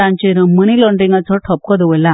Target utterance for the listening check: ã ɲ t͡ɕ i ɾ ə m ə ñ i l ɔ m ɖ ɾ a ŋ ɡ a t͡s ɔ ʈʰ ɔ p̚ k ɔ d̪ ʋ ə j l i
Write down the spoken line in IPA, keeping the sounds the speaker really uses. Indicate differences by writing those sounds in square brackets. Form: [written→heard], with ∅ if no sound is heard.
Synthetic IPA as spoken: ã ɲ t͡ɕ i ɾ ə m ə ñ i l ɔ [m→ɳ] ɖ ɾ [a→i] ŋ ɡ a t͡s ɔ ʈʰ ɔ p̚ k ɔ d̪ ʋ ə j l [i→a]

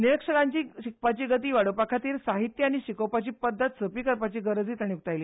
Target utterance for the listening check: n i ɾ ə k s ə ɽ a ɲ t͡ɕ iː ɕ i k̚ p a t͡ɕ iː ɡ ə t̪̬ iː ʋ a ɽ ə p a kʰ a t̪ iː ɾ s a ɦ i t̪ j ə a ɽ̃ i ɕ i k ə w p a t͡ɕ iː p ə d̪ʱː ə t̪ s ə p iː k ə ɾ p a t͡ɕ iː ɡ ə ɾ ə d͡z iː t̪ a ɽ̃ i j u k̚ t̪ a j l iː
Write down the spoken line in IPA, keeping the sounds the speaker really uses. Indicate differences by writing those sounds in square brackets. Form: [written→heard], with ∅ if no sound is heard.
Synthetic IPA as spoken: n i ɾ ə k [s→ʂ] ə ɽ a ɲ t͡ɕ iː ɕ i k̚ p a t͡ɕ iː ɡ ə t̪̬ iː ʋ a ɽ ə p a kʰ a t̪ iː ɾ s a ɦ i t̪ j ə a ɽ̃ i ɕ i k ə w p a t͡ɕ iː p ə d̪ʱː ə t̪ s ə p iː k ə ɾ p a t͡ɕ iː ɡ ə ɾ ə d͡z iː t̪ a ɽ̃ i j u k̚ t̪ a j l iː

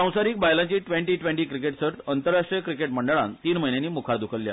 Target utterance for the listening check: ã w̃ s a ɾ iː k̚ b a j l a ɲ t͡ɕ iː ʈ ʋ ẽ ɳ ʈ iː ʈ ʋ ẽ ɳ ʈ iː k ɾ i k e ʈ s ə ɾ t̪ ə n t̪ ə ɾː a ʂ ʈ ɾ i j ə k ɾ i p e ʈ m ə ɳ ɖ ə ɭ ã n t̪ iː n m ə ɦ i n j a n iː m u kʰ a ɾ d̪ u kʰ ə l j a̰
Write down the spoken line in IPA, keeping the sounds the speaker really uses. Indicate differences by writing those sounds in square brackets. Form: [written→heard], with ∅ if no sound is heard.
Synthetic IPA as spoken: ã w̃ s a ɾ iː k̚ b a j l a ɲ t͡ɕ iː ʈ ʋ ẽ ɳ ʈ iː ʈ ʋ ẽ ɳ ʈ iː k ɾ i k e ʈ s ə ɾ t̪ ə n t̪ ə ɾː a ʂ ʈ ɾ i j ə k ɾ i [p→k] e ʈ m ə ɳ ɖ ə ɭ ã n t̪ iː n m ə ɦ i n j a n iː m u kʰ a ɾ d̪ u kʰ ə l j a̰

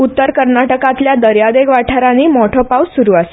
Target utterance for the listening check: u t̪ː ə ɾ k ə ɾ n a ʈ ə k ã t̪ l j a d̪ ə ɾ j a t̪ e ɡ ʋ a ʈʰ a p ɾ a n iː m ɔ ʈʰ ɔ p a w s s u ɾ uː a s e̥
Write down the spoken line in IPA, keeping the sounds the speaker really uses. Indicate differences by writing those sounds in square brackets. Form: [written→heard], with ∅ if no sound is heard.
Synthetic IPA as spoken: u t̪ː ə ɾ k ə ɾ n a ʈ ə k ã t̪ l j a d̪ ə ɾ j a [t̪→d̪] e ɡ ʋ a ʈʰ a [p→∅] ɾ a n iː m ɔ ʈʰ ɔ p a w s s u ɾ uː a s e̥

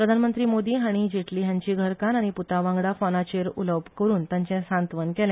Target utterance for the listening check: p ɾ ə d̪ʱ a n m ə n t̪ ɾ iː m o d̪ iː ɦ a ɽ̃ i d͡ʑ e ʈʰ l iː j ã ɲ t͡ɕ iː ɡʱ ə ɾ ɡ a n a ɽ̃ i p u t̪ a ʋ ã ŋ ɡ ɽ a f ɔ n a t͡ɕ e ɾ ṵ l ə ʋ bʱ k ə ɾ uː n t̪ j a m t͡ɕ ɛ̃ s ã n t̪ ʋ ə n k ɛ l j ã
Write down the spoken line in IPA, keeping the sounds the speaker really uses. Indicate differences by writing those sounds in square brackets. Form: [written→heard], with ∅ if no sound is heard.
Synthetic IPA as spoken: p ɾ ə d̪ʱ a n m ə n t̪ ɾ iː m o d̪ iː ɦ a ɽ̃ i d͡ʑ e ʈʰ l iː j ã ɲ t͡ɕ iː ɡʱ ə ɾ [ɡ→k] a n a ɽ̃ i p u t̪ a ʋ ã ŋ ɡ ɽ a f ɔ n a t͡ɕ e ɾ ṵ l ə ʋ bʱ k ə ɾ uː n t̪ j a [m→ɲ] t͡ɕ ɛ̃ s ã n t̪ ʋ ə n k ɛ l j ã

